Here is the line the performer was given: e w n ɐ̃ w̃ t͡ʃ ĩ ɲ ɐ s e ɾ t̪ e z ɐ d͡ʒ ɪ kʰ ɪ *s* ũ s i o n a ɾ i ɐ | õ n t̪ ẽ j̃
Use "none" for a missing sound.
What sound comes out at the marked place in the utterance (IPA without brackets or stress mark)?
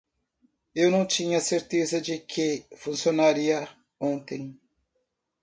f